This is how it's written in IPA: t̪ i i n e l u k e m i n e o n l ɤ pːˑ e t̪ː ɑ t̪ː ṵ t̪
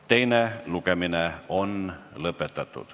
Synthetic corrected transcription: t̪ e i n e l u k e m i n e o n l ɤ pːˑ e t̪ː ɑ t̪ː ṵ t̪